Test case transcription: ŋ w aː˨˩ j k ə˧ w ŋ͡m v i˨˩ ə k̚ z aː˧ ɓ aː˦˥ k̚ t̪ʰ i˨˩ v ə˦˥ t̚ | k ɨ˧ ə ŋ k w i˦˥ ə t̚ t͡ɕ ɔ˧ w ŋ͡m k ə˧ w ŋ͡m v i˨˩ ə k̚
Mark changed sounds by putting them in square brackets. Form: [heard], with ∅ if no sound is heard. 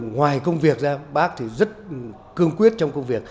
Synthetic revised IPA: ŋ w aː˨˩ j k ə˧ w ŋ͡m v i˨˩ ə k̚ z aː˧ ɓ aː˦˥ k̚ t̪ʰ i˨˩ [z] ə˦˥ t̚ | k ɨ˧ ə ŋ k w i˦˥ ə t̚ t͡ɕ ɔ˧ w ŋ͡m k ə˧ w ŋ͡m v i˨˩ ə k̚